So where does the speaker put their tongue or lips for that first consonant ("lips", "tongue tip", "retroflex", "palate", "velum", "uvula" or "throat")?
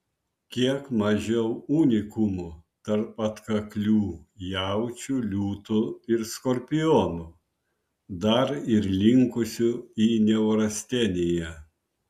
velum